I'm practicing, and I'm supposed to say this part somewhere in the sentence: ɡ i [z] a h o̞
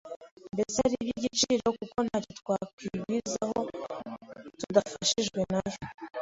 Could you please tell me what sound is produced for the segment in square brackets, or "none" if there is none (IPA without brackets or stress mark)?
z